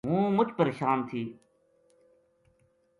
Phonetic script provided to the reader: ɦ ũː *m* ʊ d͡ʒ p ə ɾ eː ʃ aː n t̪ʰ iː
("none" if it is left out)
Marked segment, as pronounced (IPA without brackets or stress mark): m